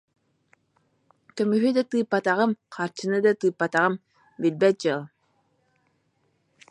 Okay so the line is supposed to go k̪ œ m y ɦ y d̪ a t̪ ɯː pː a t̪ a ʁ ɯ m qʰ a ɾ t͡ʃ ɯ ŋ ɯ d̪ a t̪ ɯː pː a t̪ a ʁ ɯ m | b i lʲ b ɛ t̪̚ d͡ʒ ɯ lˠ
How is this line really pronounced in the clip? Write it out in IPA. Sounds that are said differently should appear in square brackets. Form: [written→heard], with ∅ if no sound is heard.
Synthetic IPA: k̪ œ m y ɦ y d̪ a t̪ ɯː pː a t̪ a ʁ ɯ m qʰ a ɾ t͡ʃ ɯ [ŋ→n] ɯ d̪ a t̪ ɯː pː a t̪ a ʁ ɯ m | b i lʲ b ɛ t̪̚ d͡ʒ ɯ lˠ